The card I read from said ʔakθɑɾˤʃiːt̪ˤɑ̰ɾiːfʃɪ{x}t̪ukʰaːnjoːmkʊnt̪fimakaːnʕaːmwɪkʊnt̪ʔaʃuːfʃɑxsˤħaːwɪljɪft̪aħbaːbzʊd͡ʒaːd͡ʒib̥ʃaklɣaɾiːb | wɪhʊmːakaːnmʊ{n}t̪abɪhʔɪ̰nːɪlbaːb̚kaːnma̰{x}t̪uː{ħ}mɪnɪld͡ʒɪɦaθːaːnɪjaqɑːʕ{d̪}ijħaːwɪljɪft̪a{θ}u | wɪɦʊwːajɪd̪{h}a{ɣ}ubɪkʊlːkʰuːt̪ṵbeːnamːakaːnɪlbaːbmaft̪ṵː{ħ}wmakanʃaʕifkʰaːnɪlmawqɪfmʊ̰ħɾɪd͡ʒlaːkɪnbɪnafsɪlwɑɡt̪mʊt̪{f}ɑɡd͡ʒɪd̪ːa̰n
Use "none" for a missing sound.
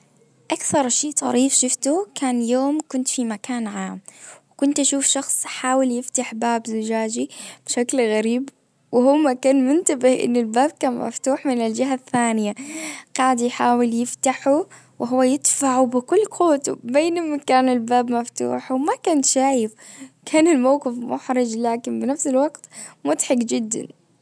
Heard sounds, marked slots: f, n, f, ħ, d̪, ħ, f, ʕ, ħ, ħ

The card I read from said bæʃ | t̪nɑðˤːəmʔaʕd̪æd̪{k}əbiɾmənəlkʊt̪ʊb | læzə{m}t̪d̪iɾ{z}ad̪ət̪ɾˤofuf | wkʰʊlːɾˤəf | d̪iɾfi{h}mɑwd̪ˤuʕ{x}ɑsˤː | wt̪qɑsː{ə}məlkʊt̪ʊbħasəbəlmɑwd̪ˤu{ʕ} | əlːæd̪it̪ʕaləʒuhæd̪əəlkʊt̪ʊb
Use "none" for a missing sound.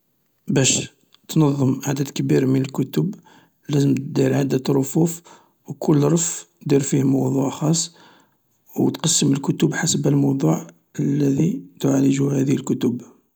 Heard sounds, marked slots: k, m, ʕ, h, x, ə, ʕ

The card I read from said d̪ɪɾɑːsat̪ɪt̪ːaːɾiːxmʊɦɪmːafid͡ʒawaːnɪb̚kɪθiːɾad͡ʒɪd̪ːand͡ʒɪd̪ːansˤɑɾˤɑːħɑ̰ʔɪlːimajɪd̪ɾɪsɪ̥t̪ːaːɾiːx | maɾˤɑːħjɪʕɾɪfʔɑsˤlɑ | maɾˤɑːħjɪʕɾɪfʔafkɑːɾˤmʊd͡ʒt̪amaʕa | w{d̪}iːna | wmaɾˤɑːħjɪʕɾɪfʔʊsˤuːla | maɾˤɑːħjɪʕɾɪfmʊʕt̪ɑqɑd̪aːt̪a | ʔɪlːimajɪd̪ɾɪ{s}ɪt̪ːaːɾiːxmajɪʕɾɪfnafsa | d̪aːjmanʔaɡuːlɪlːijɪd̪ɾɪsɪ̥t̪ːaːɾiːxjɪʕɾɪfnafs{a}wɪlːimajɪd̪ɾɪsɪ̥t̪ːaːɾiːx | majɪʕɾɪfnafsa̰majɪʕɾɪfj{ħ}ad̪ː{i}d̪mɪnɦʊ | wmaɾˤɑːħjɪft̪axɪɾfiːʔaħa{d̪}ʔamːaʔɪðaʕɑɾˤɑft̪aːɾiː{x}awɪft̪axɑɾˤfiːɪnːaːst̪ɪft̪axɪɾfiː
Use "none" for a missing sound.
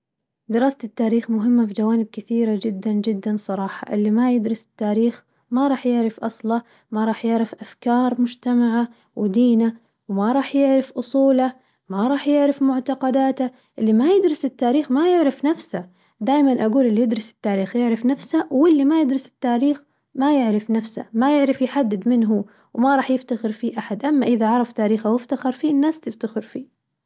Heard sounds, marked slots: d̪, s, a, ħ, ɪ, d̪, x

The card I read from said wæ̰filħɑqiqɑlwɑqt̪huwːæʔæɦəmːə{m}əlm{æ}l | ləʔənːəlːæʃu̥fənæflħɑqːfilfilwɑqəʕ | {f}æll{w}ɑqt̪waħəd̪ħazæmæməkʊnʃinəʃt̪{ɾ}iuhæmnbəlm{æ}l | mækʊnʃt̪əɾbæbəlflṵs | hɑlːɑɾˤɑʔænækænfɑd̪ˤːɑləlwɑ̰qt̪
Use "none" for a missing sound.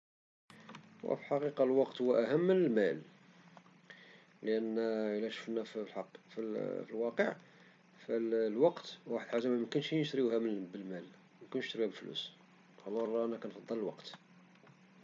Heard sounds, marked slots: n, æ, f, w, ɾ, æ

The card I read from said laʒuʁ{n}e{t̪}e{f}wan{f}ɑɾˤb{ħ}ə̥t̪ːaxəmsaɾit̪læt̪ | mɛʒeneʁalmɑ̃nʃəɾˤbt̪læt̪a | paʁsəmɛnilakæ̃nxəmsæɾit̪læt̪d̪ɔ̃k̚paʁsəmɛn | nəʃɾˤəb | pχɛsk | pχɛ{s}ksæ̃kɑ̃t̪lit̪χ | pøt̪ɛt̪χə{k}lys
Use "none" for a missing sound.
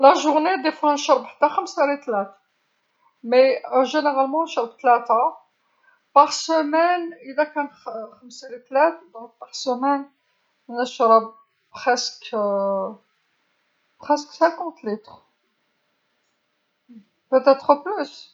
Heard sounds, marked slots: n, d̪, f, ʃ, ħ, s, p

